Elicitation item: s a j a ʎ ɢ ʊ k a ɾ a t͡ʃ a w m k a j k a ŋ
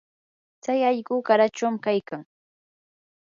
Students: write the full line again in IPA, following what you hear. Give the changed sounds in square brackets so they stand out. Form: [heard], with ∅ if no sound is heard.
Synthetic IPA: [t͡s] a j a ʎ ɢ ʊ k a ɾ a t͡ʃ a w m k a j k a ŋ